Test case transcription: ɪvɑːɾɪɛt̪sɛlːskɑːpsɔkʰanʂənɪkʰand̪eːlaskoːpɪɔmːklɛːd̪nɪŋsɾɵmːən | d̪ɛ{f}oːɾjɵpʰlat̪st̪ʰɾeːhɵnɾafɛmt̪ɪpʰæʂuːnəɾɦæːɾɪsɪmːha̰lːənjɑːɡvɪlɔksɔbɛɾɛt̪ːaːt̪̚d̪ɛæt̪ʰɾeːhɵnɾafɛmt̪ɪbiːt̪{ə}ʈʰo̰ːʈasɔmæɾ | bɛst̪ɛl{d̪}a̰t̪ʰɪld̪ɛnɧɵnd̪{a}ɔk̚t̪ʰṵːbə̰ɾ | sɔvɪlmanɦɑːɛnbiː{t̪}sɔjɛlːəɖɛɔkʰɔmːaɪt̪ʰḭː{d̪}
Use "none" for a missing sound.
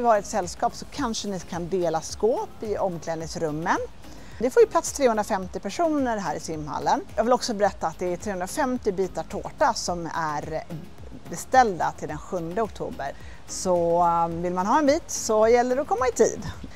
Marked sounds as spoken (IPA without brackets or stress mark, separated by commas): f, a, d̪, ə, t̪, d̪